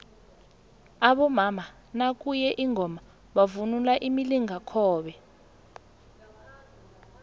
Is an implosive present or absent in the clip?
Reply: present